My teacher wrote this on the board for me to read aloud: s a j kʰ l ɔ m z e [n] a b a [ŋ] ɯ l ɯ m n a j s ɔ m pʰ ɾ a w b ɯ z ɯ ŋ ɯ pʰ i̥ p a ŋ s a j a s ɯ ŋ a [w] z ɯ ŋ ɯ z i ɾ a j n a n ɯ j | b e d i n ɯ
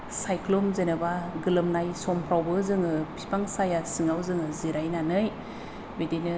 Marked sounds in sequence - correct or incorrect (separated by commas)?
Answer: correct, incorrect, correct